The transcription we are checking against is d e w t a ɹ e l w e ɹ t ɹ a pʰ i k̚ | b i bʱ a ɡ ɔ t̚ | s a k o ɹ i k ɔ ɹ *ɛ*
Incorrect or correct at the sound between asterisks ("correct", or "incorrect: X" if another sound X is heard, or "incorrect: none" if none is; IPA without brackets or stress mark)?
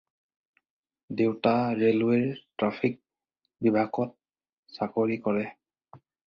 correct